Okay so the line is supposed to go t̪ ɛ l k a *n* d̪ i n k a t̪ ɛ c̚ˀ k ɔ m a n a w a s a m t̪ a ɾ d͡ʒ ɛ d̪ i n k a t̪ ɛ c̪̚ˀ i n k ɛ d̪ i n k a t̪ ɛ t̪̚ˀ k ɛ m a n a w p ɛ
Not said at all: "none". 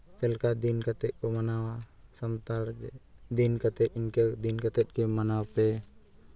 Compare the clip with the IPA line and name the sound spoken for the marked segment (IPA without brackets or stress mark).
none